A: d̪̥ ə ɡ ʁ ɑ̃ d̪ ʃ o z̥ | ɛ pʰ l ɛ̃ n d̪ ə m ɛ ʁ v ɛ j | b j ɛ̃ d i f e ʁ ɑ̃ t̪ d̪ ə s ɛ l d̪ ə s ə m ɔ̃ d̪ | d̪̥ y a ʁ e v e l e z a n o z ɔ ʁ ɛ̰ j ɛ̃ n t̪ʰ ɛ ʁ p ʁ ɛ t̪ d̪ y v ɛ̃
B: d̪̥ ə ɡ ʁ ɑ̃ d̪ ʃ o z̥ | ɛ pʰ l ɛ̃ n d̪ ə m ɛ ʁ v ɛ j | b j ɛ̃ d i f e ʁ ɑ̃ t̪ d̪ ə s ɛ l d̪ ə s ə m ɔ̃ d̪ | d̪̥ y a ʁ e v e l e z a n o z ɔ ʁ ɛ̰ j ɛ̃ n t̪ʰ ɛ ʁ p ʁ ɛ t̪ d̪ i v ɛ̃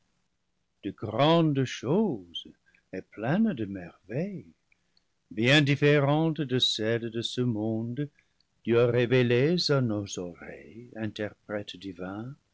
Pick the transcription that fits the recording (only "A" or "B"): B